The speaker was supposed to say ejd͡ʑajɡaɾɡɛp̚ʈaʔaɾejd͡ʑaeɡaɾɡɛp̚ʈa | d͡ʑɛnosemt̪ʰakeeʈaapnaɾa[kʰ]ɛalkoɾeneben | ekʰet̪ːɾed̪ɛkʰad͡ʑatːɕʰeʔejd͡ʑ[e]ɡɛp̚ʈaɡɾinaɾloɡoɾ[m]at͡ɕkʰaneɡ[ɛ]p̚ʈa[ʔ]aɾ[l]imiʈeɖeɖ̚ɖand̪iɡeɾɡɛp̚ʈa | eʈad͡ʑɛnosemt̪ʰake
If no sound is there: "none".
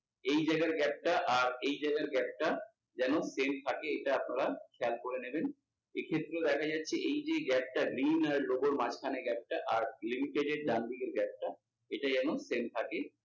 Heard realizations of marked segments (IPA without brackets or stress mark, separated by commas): kʰ, e, m, ɛ, ʔ, l